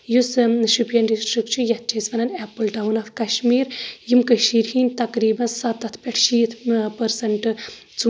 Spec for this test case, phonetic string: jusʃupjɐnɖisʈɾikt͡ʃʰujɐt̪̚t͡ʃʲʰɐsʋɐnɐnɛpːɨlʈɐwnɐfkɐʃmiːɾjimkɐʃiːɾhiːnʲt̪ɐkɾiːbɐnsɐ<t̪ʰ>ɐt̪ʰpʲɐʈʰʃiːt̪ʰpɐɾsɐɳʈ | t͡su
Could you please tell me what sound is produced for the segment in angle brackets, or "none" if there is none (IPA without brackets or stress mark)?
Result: t̪